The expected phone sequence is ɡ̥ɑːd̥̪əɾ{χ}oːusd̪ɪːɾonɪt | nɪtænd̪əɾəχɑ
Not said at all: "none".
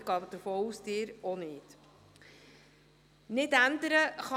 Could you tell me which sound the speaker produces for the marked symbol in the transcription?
f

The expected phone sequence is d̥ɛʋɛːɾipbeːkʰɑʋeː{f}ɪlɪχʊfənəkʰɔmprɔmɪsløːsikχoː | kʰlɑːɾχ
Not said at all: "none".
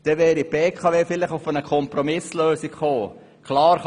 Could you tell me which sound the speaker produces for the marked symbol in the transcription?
f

